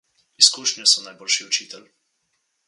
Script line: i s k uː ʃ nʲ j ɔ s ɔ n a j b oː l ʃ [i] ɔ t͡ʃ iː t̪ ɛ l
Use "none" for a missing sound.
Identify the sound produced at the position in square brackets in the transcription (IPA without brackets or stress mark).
i